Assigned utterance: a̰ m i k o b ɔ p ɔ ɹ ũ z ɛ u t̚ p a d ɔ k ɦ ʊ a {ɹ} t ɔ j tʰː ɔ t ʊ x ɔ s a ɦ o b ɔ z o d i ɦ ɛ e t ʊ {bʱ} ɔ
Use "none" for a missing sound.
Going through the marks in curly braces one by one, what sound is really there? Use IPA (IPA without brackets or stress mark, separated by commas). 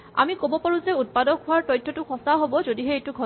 ɹ, ɡʱ